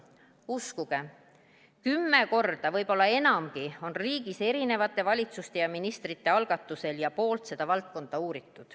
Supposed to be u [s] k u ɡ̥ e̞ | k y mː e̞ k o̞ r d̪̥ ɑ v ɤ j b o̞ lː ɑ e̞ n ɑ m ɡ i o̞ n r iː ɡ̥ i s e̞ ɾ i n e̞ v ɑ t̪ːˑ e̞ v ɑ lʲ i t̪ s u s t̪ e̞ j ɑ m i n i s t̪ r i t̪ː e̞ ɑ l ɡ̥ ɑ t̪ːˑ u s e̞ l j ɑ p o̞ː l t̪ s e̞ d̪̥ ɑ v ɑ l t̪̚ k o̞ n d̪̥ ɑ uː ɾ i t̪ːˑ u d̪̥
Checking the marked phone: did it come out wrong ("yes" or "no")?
no